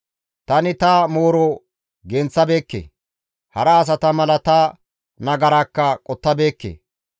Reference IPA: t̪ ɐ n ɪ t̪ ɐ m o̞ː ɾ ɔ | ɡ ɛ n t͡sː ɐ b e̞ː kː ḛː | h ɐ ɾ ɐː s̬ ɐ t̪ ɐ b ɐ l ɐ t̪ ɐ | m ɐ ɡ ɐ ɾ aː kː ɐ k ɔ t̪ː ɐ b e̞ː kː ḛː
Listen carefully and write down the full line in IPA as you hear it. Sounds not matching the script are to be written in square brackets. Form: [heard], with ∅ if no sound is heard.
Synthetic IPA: t̪ ɐ n ɪ t̪ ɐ m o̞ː ɾ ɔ | ɡ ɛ n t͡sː ɐ b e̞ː kː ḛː | h ɐ ɾ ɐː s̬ ɐ t̪ ɐ [m] ɐ l ɐ t̪ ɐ | [n] ɐ ɡ ɐ ɾ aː kː ɐ [kʼ] ɔ t̪ː ɐ b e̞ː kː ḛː